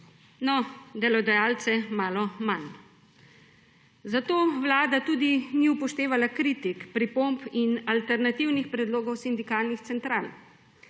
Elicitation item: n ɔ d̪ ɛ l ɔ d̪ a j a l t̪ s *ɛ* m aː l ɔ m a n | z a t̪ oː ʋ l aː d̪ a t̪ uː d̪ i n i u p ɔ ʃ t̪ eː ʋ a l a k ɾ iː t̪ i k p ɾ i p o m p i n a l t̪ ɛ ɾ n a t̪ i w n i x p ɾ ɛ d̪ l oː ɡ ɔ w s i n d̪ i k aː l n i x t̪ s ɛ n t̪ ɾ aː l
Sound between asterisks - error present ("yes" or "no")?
no